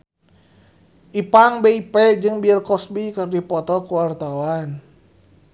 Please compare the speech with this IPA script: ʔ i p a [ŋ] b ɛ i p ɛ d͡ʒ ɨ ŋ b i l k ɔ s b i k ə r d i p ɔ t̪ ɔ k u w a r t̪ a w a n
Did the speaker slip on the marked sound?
no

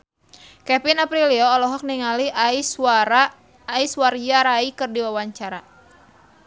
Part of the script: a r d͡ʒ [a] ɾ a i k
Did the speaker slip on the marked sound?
no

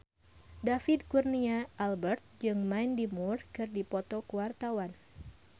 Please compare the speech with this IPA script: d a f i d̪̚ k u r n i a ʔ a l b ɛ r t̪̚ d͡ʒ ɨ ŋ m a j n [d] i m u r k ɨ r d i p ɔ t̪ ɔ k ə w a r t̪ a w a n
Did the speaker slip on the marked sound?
no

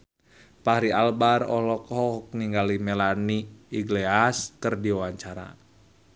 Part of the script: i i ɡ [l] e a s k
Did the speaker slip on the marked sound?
no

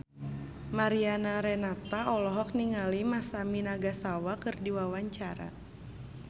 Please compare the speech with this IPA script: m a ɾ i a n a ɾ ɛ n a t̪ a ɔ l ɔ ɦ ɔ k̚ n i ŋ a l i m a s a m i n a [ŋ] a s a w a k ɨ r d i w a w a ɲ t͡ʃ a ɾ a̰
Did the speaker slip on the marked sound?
yes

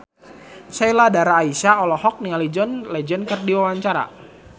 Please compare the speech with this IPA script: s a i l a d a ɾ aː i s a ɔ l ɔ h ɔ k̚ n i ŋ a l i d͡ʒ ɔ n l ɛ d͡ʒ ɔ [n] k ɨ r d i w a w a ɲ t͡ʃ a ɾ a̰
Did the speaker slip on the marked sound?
no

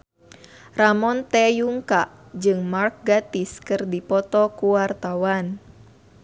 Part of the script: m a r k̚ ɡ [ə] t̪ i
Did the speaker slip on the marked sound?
yes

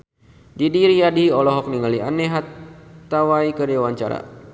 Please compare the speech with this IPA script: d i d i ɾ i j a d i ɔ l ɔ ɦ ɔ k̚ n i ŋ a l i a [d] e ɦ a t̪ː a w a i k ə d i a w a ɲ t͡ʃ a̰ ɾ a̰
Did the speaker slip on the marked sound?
yes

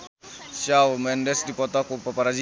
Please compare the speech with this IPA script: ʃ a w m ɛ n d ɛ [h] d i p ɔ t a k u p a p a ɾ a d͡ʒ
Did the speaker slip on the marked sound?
yes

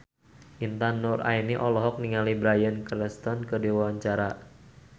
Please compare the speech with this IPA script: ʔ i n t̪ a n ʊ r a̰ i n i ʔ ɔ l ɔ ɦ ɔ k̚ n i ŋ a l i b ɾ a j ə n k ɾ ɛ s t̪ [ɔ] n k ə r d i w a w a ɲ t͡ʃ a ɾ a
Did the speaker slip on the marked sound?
no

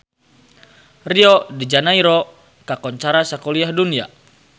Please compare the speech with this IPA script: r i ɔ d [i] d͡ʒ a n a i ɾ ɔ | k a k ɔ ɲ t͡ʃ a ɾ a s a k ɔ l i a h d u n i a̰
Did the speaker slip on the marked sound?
no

